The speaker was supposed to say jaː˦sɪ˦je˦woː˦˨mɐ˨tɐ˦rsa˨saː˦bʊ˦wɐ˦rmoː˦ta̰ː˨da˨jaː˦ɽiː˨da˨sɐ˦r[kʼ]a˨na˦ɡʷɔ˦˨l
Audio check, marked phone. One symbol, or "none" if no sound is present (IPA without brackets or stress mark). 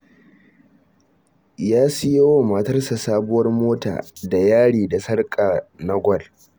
kʼ